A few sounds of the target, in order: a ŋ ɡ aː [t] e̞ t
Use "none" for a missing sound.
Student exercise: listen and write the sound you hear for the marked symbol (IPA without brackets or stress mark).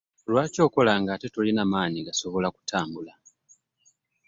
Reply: t